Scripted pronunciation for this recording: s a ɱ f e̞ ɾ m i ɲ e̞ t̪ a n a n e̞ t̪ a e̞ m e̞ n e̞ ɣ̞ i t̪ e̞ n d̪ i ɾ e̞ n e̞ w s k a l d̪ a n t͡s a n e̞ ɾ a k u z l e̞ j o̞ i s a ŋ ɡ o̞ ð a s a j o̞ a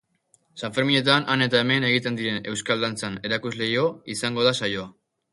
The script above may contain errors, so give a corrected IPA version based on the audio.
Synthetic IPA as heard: s a ɱ f e̞ ɾ m i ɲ e̞ t̪ a n a n e̞ t̪ a e̞ m e̞ n e̞ ɣ̞ i t̪ e̞ n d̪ i ɾ e̞ n e̞ w s k a l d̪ a n t͡s a n e̞ ɾ a k u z l e̞ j o̞ i s a ŋ ɡ o̞ ð a s a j o̞ a